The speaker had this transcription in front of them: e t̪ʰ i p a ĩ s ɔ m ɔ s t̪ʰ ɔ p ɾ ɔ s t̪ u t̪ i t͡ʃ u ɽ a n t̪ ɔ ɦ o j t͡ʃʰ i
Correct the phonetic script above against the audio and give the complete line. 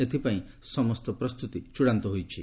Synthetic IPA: e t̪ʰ i p a ĩ s ɔ m ɔ s t̪ ɔ p ɾ ɔ s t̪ u t̪ i t͡ʃ u ɽ a n t̪ ɔ ɦ o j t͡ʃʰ i